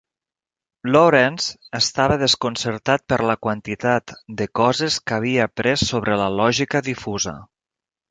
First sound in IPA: l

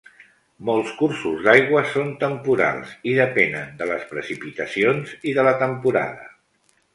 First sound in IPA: m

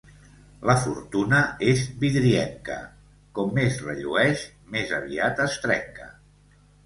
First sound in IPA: l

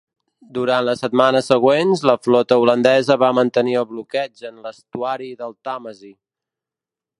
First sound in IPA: d̪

